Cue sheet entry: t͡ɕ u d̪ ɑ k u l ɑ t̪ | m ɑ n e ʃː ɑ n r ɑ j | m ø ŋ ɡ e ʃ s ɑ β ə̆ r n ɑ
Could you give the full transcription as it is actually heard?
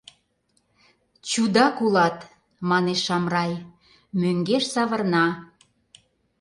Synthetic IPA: t͡ɕ u d̪ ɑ k u l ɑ t̪ | m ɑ n e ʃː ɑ m r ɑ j | m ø ŋ ɡ e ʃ s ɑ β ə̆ r n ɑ